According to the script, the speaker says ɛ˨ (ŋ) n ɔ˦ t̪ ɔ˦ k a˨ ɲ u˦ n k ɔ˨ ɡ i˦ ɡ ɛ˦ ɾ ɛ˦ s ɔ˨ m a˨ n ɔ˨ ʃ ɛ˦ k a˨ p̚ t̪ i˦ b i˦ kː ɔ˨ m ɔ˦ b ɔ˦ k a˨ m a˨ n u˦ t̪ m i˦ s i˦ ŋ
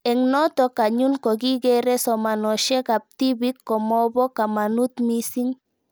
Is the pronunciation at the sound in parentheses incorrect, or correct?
correct